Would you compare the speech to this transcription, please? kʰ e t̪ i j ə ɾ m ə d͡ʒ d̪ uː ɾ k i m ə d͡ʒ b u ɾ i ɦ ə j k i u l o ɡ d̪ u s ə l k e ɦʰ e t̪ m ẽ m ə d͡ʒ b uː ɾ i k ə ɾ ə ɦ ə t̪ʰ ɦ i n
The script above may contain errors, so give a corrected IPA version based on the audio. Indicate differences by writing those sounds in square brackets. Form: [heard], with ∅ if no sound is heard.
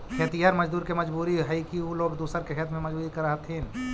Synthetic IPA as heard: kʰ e t̪ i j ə ɾ m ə d͡ʒ d̪ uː ɾ k [e] m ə d͡ʒ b u ɾ i ɦ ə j k i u l o ɡ d̪ u s ə [ɾ] k e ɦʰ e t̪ m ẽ m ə d͡ʒ b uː ɾ i k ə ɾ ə ɦ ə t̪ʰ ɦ i n